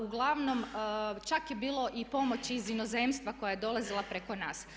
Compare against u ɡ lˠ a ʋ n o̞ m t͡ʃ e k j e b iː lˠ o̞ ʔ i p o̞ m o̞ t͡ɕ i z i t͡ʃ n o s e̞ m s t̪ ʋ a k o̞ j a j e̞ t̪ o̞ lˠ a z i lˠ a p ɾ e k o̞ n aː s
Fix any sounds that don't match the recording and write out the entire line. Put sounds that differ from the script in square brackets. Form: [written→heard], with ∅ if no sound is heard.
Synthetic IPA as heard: u ɡ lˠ a ʋ n o̞ m t͡ʃ [e→a] k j e b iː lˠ o̞ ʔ i p o̞ m o̞ t͡ɕ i z i [t͡ʃ→∅] n o [s→z] e̞ m s t̪ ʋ a k o̞ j a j e̞ [t̪→d̪] o̞ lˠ a z i lˠ a p ɾ e k o̞ n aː s